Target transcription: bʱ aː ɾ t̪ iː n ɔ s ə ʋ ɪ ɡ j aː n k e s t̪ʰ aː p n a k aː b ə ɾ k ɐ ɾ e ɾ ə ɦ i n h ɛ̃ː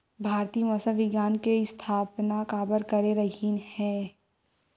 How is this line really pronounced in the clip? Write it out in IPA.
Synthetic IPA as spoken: bʱ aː ɾ t̪ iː m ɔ s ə ʋ ɪ ɡ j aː n k e s t̪ʰ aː p n a k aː b ə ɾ k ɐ ɾ e ɾ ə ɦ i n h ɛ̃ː